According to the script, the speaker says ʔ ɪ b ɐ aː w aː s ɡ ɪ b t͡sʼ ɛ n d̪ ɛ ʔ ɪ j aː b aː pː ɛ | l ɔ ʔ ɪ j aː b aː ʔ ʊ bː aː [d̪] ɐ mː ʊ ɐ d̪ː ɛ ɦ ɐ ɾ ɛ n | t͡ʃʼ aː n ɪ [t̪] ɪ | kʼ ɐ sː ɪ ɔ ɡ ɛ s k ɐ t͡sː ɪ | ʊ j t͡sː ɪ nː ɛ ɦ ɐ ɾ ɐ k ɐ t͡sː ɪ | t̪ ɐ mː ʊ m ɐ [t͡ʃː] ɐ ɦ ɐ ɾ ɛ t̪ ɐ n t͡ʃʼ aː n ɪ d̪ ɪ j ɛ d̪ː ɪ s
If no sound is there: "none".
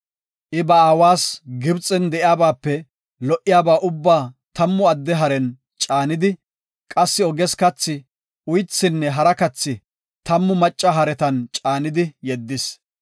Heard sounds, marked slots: t̪, d̪, t͡ʃʼː

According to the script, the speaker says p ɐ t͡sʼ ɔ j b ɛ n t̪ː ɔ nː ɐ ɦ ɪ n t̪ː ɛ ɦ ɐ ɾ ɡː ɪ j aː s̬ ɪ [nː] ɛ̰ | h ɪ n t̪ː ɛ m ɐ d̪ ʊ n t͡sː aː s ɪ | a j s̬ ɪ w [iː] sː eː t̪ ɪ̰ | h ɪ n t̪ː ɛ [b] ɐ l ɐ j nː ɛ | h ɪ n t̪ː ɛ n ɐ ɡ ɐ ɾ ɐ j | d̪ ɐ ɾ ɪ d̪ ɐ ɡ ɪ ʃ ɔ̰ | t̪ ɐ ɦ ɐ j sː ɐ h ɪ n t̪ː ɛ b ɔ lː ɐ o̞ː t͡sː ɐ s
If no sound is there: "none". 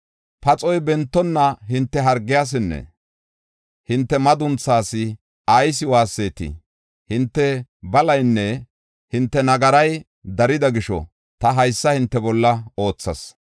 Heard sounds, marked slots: nː, aː, b

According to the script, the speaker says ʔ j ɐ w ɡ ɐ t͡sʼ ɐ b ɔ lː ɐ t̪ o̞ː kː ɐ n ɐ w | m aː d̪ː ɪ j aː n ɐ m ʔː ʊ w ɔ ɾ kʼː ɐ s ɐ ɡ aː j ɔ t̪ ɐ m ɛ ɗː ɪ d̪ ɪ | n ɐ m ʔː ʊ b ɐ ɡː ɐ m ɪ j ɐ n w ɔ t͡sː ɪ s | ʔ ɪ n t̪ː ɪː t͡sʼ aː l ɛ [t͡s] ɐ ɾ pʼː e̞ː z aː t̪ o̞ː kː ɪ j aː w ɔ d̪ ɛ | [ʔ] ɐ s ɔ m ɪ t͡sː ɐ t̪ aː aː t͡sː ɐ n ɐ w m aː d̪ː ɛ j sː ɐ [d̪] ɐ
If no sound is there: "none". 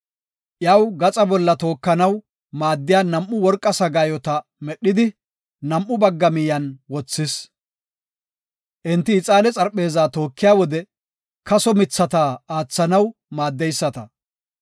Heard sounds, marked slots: t͡sʼ, k, t̪

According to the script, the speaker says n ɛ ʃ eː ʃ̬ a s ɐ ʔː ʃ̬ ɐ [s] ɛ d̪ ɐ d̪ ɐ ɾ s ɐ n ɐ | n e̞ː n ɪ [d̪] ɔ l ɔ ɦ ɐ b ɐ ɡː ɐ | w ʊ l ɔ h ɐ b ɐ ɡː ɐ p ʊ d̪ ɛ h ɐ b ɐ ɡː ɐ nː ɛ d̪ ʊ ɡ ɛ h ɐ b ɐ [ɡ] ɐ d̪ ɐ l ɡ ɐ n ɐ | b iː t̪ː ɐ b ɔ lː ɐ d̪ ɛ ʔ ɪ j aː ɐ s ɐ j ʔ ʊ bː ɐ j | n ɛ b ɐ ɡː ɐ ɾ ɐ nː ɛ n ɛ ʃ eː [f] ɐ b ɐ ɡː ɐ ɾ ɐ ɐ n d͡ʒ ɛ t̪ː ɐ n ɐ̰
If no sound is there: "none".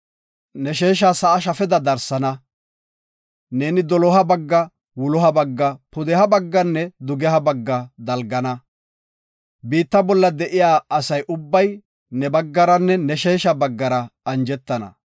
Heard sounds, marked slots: f, d̪, ɡː, ʃ

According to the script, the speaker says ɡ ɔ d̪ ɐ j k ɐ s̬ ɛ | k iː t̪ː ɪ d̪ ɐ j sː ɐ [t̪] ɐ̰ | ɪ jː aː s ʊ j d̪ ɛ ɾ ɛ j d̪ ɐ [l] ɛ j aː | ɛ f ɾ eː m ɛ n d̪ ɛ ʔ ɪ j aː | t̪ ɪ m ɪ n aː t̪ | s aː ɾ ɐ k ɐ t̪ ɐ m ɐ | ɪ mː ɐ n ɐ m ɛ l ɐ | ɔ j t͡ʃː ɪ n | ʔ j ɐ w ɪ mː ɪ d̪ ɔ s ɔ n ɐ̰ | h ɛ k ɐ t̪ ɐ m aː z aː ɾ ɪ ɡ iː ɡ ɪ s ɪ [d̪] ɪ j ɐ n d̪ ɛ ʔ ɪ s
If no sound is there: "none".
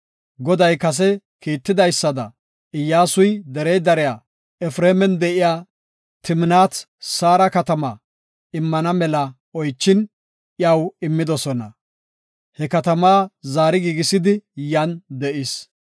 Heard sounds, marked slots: d̪, ɾ, d̪

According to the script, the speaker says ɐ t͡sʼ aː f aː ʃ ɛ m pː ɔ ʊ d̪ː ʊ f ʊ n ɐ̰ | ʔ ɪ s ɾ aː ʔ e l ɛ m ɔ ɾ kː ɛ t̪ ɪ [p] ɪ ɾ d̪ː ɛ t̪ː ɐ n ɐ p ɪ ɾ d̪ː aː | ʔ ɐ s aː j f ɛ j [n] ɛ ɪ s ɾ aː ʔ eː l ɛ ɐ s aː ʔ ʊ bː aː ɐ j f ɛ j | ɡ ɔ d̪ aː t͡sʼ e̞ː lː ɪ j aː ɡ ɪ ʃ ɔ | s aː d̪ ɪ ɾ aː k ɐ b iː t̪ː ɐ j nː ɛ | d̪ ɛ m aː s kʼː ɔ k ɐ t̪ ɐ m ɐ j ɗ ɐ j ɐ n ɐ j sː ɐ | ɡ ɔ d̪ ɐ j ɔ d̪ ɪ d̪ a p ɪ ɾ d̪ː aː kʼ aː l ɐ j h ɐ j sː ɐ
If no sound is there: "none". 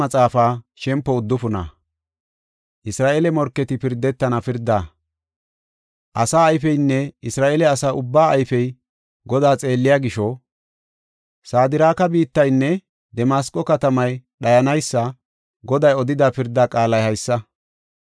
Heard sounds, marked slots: p, nː

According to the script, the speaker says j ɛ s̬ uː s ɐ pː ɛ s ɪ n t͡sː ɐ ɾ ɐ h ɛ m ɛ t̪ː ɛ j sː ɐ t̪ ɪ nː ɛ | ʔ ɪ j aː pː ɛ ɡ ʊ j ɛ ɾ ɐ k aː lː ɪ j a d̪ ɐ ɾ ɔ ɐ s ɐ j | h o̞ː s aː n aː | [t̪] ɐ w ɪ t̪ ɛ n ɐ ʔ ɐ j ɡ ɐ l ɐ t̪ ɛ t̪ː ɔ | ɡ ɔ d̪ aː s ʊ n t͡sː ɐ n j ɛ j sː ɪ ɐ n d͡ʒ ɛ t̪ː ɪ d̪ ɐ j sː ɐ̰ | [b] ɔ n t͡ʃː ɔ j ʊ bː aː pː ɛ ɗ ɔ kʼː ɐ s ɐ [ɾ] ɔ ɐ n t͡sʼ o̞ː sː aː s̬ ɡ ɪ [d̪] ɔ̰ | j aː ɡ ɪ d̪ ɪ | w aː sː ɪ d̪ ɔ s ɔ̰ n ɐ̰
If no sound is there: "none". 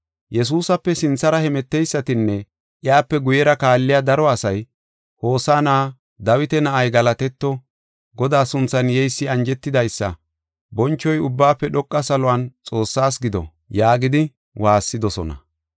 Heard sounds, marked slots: d̪, b, l, d̪

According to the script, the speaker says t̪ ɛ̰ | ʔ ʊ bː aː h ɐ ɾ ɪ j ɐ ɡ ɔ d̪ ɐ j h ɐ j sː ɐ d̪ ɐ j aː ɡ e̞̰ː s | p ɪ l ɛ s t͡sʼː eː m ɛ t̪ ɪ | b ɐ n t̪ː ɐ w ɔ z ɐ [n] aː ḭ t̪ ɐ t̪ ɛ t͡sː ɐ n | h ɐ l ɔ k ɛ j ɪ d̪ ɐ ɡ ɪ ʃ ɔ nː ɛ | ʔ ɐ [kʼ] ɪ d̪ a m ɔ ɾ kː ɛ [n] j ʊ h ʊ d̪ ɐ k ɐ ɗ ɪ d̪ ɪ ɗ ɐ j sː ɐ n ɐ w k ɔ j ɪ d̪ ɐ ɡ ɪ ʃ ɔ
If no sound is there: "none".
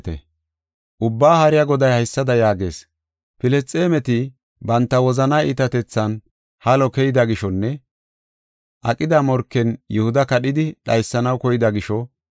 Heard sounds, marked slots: n, kʼ, n

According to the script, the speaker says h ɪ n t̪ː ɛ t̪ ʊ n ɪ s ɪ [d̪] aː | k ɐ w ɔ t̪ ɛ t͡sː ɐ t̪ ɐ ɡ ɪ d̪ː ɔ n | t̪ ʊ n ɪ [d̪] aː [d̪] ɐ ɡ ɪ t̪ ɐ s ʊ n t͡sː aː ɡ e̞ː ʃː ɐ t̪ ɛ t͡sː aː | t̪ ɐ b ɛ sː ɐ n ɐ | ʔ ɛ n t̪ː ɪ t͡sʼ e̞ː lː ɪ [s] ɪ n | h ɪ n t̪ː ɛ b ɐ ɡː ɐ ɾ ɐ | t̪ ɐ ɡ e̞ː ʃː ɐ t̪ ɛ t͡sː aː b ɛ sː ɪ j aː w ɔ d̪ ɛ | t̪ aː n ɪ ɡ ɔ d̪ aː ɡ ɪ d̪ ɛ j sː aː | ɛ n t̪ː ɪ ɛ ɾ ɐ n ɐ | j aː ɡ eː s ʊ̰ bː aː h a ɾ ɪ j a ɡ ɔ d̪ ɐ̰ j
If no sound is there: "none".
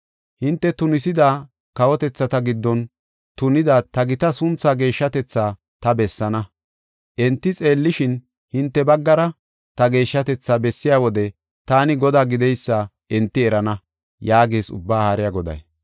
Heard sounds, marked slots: d̪, d̪, t̪, ʃ

